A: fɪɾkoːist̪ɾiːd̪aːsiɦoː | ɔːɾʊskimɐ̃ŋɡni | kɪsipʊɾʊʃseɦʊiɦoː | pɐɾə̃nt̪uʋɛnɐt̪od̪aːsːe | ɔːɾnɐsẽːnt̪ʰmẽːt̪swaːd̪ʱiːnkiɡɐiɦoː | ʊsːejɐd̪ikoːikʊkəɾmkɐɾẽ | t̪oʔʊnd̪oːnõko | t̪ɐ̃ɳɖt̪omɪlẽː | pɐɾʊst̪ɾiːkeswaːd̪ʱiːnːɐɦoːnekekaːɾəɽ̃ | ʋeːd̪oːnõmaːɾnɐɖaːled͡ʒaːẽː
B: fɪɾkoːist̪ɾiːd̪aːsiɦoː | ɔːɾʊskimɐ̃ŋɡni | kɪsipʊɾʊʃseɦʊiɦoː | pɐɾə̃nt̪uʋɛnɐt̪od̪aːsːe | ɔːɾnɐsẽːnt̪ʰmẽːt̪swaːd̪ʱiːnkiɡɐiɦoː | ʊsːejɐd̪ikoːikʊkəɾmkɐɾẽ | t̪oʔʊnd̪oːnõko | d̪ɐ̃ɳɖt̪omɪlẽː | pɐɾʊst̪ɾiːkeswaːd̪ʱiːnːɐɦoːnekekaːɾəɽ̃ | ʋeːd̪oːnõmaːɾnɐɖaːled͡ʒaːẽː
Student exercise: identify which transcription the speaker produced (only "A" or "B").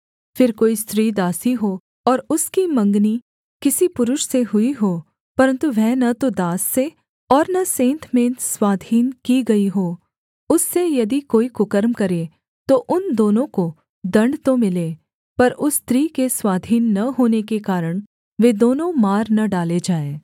B